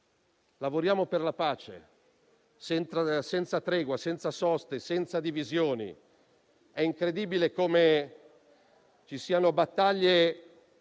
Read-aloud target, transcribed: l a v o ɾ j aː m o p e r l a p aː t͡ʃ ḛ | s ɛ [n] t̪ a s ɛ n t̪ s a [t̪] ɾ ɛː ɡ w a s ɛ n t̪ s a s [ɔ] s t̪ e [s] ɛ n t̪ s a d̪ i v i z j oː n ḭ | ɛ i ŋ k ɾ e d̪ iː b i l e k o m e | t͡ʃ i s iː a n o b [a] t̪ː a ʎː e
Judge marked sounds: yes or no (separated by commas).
yes, yes, yes, yes, yes